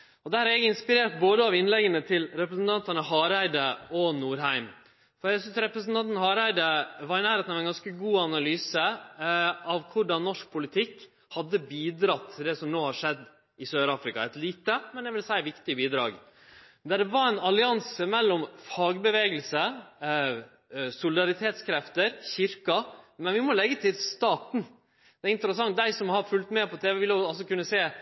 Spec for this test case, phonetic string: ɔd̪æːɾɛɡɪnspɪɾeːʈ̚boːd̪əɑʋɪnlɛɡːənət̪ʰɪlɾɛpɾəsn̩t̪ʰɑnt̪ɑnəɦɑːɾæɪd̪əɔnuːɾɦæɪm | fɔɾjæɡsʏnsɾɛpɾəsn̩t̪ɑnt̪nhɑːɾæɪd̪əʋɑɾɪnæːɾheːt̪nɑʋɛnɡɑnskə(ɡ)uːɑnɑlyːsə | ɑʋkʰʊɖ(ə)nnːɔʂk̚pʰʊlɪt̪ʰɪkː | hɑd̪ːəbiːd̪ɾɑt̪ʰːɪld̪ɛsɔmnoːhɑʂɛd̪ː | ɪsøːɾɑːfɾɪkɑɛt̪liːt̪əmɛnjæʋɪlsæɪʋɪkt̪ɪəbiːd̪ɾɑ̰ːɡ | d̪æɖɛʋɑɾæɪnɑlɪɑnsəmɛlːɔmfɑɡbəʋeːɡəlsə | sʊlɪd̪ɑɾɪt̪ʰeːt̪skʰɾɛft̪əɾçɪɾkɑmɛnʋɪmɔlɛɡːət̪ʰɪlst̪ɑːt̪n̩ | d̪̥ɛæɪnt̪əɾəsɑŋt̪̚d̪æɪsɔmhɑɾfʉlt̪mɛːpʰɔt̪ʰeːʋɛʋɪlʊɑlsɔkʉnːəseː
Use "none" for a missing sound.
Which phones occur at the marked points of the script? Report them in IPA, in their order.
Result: ɡ, ɑ

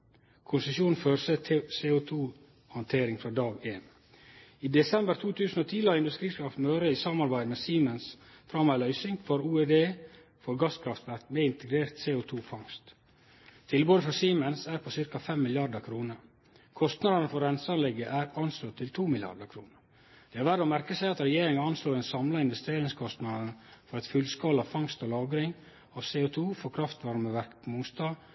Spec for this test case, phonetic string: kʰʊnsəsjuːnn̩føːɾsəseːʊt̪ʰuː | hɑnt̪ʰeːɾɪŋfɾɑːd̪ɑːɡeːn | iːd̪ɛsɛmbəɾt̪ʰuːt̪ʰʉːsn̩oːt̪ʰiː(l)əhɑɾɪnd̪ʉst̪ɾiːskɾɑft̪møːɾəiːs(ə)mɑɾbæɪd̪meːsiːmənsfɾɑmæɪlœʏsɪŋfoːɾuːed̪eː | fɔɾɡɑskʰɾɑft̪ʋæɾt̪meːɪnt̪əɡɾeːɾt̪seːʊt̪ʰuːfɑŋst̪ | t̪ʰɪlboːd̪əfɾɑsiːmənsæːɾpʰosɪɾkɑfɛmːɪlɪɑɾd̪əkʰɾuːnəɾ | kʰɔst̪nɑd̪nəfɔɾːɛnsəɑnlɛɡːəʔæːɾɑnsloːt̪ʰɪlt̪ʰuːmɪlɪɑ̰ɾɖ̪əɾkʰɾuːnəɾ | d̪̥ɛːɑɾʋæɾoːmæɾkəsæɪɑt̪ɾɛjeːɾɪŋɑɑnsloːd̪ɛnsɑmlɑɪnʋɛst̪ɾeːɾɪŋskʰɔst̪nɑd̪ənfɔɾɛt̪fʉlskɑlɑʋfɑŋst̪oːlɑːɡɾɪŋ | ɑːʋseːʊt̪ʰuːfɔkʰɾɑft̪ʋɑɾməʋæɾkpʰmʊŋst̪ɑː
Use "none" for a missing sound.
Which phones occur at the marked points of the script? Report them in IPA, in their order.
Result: l, ɑ

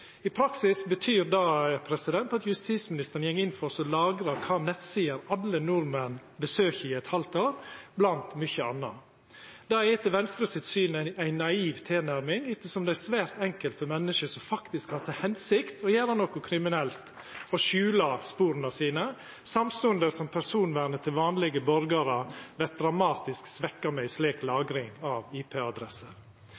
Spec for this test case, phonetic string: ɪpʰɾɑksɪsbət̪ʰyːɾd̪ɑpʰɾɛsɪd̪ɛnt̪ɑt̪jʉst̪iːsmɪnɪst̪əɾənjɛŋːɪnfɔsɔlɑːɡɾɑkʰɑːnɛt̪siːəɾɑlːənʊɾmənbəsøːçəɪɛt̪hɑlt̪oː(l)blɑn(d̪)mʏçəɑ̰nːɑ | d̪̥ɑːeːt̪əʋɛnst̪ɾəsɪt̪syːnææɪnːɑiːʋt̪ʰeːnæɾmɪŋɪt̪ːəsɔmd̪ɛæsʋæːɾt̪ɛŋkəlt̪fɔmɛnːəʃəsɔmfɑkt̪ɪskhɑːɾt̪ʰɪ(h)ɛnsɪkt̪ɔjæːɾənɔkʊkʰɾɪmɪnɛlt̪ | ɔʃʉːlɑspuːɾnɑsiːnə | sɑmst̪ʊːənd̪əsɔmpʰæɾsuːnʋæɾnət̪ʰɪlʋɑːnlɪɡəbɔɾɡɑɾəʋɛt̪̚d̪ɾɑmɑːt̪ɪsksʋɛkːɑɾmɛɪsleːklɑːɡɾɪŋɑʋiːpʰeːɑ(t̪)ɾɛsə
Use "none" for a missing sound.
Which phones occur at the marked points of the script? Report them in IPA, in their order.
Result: ɾ, t̪, h, d̪

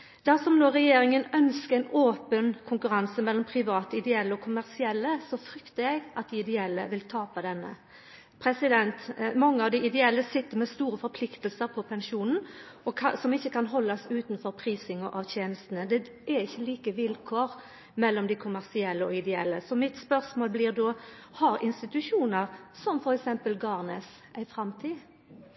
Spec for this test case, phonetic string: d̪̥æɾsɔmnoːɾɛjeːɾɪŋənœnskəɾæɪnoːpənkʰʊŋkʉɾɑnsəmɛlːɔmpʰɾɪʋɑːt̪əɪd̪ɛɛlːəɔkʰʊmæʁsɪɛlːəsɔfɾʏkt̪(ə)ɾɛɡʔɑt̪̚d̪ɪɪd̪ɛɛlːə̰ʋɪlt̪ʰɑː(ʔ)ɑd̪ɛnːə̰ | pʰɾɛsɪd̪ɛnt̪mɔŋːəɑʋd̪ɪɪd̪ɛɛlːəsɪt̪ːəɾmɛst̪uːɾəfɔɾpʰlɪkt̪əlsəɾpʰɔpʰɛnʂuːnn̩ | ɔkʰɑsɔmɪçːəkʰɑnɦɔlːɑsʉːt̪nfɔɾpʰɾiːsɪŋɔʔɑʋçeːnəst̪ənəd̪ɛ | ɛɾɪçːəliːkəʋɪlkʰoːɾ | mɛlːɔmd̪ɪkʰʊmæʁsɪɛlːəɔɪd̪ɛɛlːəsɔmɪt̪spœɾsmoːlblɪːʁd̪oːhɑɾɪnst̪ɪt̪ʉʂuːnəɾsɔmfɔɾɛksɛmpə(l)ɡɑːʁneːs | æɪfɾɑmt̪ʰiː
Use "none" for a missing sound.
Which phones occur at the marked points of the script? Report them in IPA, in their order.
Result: ə, p, l

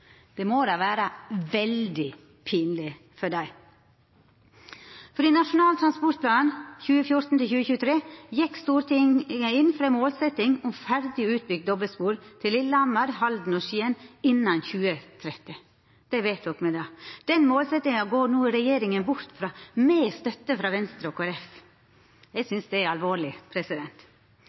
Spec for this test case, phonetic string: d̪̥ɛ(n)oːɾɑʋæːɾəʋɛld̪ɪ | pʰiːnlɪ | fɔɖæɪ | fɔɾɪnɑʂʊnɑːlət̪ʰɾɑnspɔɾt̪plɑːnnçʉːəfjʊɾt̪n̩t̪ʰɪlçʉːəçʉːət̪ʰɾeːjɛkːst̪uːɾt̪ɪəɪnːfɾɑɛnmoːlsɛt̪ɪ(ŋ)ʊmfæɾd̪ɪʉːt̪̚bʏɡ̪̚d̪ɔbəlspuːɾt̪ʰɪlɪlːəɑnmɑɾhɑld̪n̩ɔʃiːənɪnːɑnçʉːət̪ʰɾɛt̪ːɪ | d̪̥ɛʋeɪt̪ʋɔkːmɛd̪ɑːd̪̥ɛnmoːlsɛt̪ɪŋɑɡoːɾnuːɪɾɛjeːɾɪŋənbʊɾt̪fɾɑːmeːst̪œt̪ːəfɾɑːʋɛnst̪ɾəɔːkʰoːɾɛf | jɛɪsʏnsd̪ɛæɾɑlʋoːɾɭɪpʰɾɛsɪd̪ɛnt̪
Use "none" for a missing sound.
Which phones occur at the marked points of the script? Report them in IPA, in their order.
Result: m, ŋ

